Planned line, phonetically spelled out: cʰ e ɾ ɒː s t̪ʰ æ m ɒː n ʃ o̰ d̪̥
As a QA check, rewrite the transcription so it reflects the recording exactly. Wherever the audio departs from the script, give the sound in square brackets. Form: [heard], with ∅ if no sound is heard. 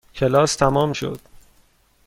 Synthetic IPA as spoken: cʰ e [l] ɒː s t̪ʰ æ m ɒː [m] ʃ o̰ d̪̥